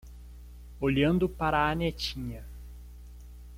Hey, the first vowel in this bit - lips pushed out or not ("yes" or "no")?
yes